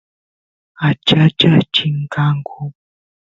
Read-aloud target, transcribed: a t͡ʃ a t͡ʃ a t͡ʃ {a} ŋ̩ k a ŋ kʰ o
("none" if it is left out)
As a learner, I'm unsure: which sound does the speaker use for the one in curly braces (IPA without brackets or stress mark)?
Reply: i